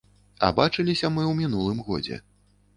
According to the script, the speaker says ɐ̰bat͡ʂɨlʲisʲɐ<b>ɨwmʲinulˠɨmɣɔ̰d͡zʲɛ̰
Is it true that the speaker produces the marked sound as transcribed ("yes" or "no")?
no